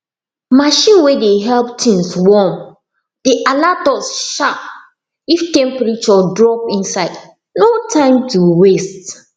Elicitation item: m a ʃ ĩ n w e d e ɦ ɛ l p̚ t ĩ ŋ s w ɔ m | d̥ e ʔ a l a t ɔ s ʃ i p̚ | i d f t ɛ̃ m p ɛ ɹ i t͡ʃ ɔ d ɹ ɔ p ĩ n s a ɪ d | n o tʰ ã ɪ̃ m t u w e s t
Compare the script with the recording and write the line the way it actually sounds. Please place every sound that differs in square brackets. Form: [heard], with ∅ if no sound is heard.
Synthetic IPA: m a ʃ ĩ n w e d e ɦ ɛ l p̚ t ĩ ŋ s w ɔ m | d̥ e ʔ a l a t ɔ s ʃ [a] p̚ | i [∅] f t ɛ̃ m p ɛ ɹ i t͡ʃ ɔ d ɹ ɔ p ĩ n s a ɪ d | n o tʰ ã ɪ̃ m t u w e s t